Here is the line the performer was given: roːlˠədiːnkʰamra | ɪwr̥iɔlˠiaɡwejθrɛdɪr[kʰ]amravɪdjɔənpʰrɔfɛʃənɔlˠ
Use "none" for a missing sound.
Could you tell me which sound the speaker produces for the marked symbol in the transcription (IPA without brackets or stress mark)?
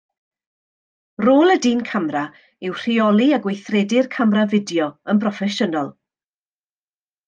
kʰ